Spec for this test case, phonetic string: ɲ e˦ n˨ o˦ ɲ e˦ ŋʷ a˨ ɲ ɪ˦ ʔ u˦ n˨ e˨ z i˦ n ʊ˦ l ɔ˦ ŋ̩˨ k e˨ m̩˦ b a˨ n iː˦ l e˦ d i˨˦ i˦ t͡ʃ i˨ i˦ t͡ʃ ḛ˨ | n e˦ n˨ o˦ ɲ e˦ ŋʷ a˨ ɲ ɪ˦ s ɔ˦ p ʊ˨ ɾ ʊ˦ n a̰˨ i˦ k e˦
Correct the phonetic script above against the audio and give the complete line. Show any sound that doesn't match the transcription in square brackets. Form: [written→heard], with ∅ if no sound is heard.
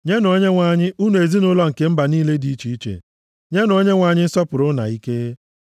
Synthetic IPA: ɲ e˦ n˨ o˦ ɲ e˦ ŋʷ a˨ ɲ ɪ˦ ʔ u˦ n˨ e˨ z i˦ n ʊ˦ l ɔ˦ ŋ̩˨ k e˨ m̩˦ b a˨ n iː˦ l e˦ d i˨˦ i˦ t͡ʃ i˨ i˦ t͡ʃ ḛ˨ | [n→ɲ] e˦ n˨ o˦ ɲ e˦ ŋʷ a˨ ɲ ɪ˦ s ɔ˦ p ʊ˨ ɾ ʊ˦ n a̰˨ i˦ k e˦

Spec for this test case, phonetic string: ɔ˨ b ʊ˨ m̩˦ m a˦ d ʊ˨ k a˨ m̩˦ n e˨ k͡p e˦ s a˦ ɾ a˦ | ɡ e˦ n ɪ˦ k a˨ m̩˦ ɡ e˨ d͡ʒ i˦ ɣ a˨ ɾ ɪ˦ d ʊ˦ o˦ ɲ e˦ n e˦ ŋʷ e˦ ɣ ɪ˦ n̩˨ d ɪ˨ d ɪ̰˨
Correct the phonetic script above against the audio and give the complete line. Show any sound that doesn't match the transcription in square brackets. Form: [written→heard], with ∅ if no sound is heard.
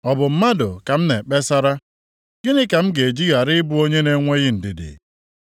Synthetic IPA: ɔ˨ b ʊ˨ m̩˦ m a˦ d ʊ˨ k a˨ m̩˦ n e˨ k͡p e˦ s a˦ ɾ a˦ | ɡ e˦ n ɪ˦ k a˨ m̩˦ ɡ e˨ d͡ʒ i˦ ɣ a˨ ɾ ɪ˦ [d→b] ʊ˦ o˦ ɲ e˦ n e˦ ŋʷ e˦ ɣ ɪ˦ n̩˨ d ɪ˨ d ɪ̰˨

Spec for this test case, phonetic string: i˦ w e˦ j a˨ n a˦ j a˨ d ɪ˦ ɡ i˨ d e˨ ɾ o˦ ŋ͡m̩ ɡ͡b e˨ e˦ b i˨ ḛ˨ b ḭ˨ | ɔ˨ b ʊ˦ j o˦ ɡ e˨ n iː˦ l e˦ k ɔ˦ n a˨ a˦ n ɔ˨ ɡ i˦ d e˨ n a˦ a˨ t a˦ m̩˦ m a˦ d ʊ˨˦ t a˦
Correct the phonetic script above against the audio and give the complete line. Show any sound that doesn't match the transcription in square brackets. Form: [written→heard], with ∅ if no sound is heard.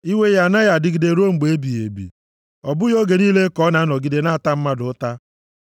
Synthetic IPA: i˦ w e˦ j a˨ n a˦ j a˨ d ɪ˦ ɡ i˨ d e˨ ɾ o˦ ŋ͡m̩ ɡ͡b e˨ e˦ b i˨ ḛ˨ b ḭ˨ | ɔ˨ b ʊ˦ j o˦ ɡ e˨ n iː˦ l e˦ k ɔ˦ n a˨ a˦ n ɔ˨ ɡ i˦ d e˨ n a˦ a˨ t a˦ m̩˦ m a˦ d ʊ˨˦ t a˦

